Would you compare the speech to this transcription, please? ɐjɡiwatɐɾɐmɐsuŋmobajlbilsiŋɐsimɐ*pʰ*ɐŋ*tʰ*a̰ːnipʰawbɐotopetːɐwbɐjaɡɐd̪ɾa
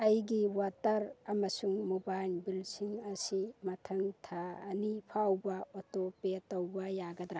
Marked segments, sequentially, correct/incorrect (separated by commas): incorrect, correct